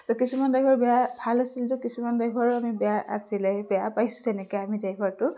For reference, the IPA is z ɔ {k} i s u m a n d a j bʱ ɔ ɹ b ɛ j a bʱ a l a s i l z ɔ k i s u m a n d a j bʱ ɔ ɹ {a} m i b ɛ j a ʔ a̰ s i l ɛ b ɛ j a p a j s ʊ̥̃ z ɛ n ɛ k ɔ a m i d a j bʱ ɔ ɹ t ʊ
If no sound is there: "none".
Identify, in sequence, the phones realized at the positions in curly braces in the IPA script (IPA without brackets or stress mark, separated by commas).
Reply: k, a